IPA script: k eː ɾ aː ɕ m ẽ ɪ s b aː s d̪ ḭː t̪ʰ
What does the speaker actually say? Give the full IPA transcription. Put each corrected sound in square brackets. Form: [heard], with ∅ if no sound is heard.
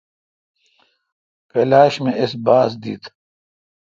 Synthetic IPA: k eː [l] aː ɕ m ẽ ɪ s b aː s d̪ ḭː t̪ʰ